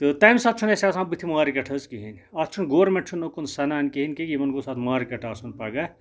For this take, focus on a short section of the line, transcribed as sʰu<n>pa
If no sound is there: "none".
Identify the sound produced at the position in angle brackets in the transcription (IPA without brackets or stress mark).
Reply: n